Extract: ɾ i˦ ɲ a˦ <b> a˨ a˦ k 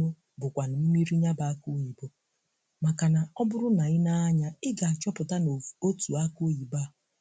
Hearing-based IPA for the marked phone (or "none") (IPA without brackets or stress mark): b